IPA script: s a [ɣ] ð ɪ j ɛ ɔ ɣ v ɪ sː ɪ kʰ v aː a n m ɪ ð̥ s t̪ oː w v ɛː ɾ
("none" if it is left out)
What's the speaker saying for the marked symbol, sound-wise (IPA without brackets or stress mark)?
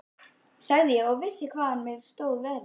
ɣ